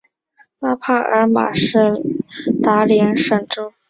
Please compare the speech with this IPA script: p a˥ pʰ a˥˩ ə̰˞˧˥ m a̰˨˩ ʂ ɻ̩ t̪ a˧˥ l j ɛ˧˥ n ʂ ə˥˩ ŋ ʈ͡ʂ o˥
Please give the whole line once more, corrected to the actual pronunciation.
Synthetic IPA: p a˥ pʰ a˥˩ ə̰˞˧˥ m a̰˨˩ ʂ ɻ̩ t̪ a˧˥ l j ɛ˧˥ n ʂ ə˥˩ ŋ ʈ͡ʂ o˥